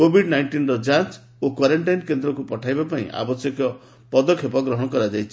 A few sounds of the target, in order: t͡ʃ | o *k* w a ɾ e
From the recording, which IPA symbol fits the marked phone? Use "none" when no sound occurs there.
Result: k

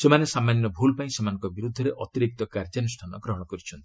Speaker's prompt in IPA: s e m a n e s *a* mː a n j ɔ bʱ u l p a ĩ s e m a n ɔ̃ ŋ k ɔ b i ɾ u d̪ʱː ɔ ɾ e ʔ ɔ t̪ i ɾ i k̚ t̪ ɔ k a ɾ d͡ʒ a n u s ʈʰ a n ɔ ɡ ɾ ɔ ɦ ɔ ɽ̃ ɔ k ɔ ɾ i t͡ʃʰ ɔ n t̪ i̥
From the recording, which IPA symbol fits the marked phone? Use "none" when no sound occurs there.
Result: a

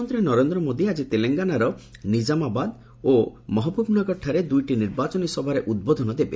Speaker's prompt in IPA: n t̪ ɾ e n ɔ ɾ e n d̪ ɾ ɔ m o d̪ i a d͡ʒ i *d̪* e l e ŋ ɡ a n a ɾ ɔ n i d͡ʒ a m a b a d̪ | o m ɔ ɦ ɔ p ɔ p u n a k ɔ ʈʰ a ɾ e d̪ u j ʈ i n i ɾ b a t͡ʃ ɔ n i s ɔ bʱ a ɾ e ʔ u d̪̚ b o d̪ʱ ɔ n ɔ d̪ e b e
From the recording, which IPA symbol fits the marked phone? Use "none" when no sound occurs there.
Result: t̪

